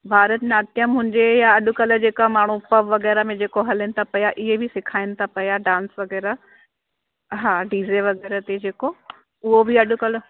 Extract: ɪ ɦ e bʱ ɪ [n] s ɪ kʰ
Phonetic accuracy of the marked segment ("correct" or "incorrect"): incorrect